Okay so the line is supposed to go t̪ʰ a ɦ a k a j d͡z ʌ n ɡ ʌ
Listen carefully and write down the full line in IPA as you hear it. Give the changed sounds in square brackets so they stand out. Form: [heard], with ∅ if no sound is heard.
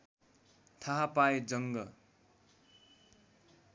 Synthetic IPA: t̪ʰ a ɦ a [p] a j d͡z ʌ [ŋ] ɡ ʌ